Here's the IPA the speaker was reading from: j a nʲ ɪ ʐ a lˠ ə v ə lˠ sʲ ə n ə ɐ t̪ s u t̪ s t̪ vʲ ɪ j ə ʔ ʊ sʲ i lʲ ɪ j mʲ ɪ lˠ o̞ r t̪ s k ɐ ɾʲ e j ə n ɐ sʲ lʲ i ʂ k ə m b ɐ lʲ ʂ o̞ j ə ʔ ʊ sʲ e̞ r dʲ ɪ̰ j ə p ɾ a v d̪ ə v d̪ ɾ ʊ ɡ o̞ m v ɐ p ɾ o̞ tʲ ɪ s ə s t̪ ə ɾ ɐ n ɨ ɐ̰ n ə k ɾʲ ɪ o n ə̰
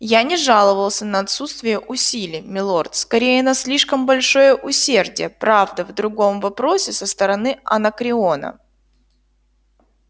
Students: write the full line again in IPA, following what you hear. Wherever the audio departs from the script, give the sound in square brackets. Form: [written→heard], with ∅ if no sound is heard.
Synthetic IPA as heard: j a nʲ ɪ ʐ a lˠ ə v ə lˠ sʲ ə n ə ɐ t̪ s u t̪ s t̪ vʲ ɪ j ə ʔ ʊ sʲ i lʲ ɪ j mʲ ɪ lˠ o̞ r t̪ s k ɐ ɾʲ e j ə n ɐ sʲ lʲ i ʂ k ə m b ɐ lʲ ʂ o̞ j ə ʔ ʊ sʲ e̞ r dʲ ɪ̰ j ə p ɾ a v d̪ ə v d̪ ɾ ʊ ɡ o̞ m v ɐ p ɾ o̞ [tʲ→sʲ] ɪ s ə s t̪ ə ɾ ɐ n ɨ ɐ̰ n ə k ɾʲ ɪ o n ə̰